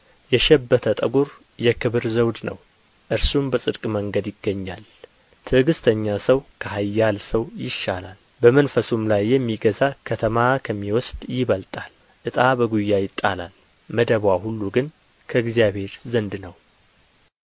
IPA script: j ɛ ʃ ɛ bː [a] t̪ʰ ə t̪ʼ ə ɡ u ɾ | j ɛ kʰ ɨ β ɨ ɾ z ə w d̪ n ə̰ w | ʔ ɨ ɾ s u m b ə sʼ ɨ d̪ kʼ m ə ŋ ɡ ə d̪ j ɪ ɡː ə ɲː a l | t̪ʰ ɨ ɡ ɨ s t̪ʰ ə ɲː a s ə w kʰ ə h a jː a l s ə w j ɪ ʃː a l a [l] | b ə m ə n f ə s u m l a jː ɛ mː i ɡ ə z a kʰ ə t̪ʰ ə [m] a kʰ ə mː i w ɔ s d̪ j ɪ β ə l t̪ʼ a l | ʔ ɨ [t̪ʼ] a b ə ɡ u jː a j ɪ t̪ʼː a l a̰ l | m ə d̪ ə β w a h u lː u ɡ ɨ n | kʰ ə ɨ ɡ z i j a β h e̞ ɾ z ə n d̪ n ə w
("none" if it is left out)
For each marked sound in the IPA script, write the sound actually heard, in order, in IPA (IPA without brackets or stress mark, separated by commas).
ə, l, m, t̪ʼ